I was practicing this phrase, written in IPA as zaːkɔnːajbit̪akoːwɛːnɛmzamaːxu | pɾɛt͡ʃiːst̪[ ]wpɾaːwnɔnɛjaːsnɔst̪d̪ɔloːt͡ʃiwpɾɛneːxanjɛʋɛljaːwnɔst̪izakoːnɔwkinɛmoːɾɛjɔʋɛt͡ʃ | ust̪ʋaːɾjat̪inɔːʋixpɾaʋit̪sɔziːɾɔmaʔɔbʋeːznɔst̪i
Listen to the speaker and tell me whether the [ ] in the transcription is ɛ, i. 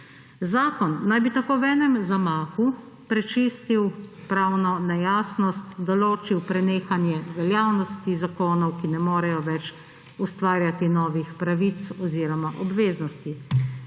i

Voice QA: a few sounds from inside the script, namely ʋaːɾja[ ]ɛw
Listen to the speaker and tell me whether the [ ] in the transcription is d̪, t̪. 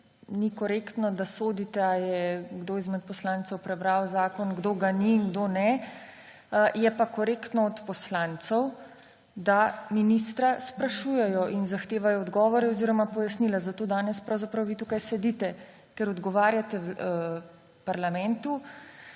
t̪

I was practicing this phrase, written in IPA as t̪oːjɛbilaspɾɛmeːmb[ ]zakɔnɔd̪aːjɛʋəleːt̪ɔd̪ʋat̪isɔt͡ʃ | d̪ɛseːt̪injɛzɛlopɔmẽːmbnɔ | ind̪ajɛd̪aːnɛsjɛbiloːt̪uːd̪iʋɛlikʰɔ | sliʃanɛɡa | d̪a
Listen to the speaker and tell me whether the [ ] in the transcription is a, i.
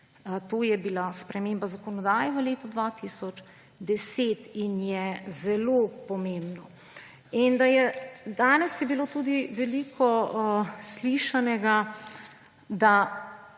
a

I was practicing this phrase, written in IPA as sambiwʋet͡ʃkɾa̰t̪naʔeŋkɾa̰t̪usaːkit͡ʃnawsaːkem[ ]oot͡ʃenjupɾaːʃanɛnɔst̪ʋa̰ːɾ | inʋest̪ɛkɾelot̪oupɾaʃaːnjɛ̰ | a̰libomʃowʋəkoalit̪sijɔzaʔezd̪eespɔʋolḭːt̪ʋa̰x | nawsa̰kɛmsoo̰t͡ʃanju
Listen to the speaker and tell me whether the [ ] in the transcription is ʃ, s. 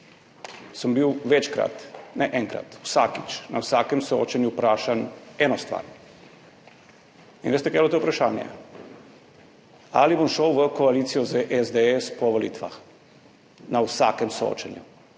s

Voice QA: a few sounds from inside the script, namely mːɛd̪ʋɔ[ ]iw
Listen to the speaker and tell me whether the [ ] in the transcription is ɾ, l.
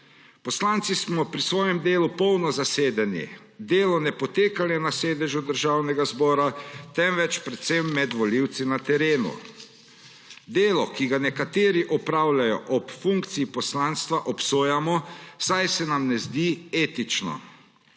l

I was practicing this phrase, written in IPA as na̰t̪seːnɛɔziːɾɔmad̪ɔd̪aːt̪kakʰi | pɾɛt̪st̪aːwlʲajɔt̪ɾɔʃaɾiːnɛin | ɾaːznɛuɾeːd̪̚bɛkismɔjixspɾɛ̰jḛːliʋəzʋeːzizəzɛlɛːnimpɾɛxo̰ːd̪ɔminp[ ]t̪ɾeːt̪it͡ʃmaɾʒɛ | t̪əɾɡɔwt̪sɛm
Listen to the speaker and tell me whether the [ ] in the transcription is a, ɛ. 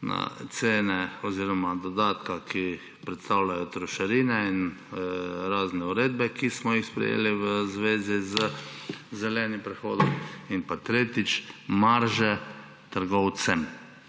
a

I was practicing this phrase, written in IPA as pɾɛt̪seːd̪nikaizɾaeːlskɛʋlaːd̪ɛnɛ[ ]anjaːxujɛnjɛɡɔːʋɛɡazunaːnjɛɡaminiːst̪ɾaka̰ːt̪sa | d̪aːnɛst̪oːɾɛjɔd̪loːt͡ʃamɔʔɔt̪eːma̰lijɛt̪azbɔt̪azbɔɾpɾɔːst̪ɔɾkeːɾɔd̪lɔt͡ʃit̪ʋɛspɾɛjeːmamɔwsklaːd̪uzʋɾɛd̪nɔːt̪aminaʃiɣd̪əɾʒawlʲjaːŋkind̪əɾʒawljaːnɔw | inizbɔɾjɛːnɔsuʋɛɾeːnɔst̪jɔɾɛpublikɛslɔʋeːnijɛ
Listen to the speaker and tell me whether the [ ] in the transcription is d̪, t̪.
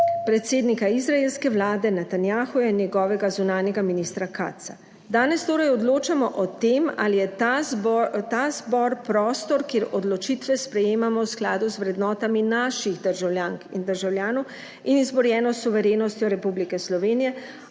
t̪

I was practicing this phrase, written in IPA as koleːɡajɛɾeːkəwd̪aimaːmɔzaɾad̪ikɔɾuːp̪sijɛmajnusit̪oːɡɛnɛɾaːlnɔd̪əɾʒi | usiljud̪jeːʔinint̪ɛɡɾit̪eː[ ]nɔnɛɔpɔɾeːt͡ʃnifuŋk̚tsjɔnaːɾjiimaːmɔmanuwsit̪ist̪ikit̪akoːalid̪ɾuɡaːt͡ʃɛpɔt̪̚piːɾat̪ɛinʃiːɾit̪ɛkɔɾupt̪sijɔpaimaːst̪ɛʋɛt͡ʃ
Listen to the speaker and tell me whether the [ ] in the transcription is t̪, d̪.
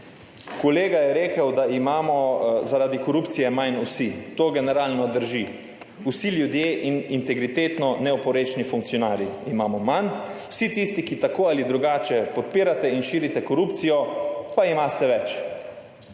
t̪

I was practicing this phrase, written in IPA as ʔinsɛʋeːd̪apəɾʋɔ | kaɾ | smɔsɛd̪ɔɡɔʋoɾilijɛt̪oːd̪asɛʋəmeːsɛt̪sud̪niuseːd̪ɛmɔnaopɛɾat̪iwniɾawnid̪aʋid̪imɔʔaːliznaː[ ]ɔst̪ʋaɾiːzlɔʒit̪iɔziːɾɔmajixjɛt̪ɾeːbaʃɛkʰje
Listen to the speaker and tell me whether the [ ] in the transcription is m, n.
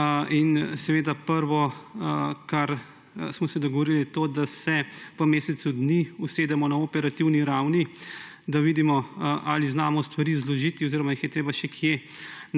m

